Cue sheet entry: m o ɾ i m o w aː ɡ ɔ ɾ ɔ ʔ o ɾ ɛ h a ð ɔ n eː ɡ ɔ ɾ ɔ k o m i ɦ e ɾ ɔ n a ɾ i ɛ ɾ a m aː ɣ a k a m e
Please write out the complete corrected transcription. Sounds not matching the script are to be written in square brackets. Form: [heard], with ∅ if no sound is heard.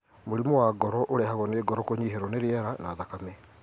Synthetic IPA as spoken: m o ɾ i m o w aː ɡ ɔ ɾ ɔ ʔ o ɾ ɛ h a [ɣ] ɔ n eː ɡ ɔ ɾ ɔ k o [ɲ] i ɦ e ɾ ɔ n [e] ɾ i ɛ ɾ a [n] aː [ð] a k a m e